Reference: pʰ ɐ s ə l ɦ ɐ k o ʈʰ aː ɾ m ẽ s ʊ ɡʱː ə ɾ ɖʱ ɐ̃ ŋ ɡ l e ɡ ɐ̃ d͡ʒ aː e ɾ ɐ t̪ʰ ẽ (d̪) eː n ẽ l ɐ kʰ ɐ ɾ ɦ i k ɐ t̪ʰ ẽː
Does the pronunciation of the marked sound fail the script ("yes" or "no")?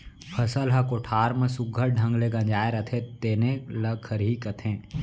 yes